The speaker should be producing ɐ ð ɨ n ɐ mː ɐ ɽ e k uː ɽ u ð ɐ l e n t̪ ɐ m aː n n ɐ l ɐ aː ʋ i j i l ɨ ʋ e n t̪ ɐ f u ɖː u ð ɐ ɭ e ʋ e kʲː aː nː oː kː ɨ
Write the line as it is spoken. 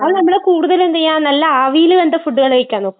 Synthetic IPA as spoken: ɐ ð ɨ n ɐ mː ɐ ɽ e k uː ɽ u ð ɐ l e n d̪ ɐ ɲ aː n n ɐ lː ɐ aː ʋ i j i l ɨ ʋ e n d̪ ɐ f u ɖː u ɣ ɐ ɭ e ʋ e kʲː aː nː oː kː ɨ

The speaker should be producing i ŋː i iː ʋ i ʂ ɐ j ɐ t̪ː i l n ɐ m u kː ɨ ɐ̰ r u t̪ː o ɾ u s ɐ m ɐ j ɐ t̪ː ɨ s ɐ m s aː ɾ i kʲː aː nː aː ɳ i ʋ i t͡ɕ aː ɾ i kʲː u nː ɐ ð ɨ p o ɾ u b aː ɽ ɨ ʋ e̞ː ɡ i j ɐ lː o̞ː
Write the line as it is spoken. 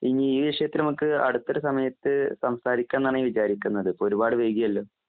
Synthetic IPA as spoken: i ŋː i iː ʋ i ʂ ɐ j ɐ t̪ː i l n ɐ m u kː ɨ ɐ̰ ɽ u t̪ː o ɾ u s ɐ m ɐ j ɐ t̪ː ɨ s ɐ m s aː ɾ i kʲː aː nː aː ɳ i ʋ i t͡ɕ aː ɾ i kʲː u nː ɐ ð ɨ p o ɾ u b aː ɽ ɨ ʋ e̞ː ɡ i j ɐ lː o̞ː

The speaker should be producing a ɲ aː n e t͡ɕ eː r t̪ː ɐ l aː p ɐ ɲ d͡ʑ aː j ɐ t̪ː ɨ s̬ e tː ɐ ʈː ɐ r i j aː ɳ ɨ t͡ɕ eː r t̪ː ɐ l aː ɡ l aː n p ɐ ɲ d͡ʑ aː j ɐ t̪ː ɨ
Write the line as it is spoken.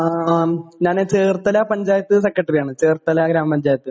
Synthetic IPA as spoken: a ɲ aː n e t͡ɕ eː r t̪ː ɐ l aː p ɐ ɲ d͡ʑ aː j ɐ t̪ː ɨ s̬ e kː ɐ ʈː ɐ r i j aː ɳ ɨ t͡ɕ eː r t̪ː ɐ l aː ɡ ɾ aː m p ɐ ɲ d͡ʑ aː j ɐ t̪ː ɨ

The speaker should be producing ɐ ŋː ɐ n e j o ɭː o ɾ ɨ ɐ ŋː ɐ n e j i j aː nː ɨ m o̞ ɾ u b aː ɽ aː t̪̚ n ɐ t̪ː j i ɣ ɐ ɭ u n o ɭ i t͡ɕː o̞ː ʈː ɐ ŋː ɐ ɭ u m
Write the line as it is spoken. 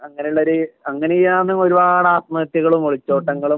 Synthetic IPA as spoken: ɐ ŋː ɐ n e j u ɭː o ɾ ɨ ɐ ŋː ɐ n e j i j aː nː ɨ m o̞ ɾ u b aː ɽ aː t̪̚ m ɐ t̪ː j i ɣ ɐ ɭ u m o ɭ i t͡ɕː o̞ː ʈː ɐ ŋː ɐ ɭ u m

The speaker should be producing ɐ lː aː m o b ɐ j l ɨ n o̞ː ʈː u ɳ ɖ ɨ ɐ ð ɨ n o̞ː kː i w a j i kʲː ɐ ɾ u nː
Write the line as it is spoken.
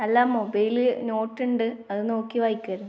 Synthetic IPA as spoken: ɐ lː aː m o b ɐ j l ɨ n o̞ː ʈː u ɳ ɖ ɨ ɐ ð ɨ n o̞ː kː i ʋ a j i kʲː ɐ ɾ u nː

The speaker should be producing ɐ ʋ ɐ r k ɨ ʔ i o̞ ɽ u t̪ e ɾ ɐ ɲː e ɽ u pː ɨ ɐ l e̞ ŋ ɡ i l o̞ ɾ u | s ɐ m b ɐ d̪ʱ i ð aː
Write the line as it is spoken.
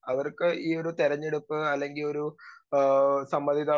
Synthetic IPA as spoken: ɐ ʋ ɐ r k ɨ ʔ iː o̞ ɾ u t̪ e ɾ ɐ ɲː e ɽ u pː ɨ ɐ lː e̞ ŋ ɡ i l o̞ ɾ u | s ɐ m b ɐ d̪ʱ i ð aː

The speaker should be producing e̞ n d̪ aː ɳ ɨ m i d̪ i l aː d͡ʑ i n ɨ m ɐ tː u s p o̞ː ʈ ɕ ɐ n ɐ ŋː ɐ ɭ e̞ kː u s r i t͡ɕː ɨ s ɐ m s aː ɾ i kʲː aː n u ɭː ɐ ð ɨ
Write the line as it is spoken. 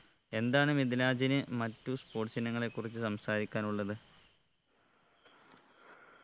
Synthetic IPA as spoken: e̞ n d̪ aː ɳ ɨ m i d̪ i l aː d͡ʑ i n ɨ m ɐ tː u s p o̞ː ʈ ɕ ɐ n ɐ ŋː ɐ ɭ e̞ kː u r i t͡ɕː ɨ s ɐ m s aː ɾ i kʲː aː n u ɭː ɐ ð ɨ

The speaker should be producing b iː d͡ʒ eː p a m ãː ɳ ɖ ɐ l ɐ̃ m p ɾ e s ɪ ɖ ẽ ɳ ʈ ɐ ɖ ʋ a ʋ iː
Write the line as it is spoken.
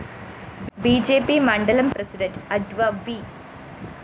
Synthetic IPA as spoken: b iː d͡ʒ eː p i m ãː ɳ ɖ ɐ l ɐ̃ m p ɾ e s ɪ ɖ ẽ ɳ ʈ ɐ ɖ ʋ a ʋ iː

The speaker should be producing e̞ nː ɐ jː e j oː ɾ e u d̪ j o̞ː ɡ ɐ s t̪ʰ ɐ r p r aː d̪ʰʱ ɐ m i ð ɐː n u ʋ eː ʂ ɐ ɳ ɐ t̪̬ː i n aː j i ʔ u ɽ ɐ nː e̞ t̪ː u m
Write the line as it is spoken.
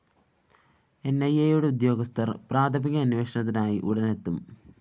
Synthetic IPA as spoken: e̞ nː ɐ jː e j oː ɽ e u d̪ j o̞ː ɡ ɐ s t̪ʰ ɐ r p r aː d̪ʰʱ ɐ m i ɣ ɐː n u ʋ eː ʂ ɐ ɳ ɐ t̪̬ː i n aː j i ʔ u ɽ ɐ n e̞ t̪ː u m

